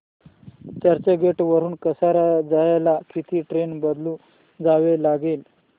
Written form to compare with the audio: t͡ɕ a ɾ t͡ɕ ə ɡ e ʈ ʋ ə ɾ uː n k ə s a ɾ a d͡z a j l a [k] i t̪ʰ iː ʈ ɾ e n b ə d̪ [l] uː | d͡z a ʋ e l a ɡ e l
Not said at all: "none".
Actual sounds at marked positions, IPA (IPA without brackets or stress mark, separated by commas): k, l